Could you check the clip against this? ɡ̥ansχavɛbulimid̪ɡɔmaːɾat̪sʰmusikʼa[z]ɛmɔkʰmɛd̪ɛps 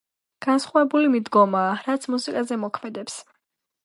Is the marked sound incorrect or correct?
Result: correct